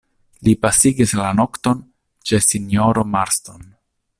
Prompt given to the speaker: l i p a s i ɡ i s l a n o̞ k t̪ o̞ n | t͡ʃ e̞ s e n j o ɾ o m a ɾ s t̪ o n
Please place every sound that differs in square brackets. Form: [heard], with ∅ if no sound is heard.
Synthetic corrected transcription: l i p a s i ɡ i s l a n o̞ k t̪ o̞ n | t͡ʃ e̞ s [i] n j o ɾ o m a ɾ s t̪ o n